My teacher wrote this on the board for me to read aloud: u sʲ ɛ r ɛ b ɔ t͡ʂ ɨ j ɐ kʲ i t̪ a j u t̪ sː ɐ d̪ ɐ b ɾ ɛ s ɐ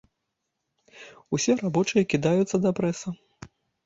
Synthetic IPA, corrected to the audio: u sʲ ɛ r a b ɔ t͡ʂ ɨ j ɐ kʲ i d̪ a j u t̪ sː ɐ d̪ ɐ p ɾ ɛ s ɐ